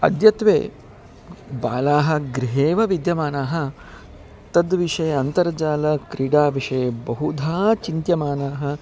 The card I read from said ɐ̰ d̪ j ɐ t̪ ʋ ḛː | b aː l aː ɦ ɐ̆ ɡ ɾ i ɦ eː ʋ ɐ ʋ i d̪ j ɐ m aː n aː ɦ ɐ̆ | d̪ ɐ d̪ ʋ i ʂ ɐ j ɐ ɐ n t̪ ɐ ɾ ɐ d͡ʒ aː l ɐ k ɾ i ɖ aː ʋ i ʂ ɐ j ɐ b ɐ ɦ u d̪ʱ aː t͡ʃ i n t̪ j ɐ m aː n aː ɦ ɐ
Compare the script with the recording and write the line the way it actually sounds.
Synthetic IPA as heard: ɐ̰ d̪ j ɐ t̪ ʋ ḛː | b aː l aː ɦ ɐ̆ ɡ ɾ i ɦ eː ʋ ɐ ʋ i d̪ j ɐ m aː n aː ɦ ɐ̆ | t̪ ɐ d̪ ʋ i ʂ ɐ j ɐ ɐ n t̪ ɐ ɾ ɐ d͡ʒ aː l ɐ k ɾ i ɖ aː ʋ i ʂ ɐ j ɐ b ɐ ɦ u d̪ʱ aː t͡ʃ i n t̪ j ɐ m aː n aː ɦ ɐ